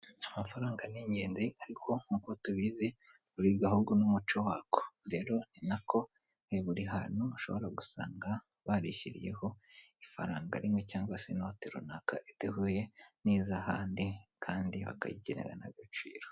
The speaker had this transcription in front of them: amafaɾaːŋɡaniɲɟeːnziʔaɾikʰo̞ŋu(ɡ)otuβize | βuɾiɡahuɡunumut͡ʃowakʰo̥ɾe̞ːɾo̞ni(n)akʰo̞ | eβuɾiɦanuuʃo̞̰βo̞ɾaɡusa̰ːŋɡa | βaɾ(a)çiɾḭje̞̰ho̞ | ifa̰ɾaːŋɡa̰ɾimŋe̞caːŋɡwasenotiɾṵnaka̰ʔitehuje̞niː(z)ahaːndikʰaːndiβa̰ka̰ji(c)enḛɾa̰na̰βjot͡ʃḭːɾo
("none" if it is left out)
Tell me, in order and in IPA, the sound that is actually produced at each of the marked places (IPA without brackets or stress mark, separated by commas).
k, n, i, z, ɟ